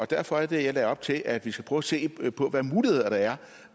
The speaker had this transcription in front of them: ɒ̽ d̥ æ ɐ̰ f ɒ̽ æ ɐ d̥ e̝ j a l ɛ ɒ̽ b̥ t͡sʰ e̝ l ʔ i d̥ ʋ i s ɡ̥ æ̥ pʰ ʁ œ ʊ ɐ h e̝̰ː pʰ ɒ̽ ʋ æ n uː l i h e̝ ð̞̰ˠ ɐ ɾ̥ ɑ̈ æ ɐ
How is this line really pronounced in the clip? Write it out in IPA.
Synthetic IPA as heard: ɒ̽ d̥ æ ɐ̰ f ɒ̽ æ ɐ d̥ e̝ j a l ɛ ɒ̽ b̥ t͡sʰ e̝ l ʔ æ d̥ ʋ i s ɡ̥ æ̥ pʰ ʁ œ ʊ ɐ s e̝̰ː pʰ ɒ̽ ʋ æ m uː l i h e̝ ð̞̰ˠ ɐ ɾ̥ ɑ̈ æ ɐ